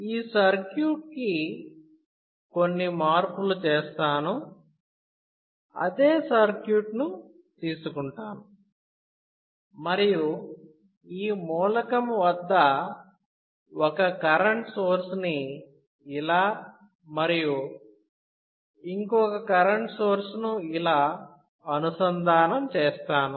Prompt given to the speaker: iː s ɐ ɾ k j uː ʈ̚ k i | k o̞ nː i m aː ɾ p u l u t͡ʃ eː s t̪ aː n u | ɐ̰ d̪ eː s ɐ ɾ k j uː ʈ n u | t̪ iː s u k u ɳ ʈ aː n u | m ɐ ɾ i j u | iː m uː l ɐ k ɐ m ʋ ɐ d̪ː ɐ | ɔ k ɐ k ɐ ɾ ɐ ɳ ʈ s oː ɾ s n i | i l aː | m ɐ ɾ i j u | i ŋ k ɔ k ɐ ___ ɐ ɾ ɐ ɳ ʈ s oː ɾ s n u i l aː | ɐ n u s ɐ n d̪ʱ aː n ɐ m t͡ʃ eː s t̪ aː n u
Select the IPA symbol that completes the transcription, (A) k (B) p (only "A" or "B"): A